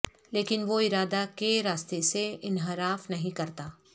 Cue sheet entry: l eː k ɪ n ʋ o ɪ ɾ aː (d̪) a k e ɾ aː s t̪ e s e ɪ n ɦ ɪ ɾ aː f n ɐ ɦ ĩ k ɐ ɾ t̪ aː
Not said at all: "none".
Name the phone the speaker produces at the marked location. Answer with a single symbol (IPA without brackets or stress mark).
d̪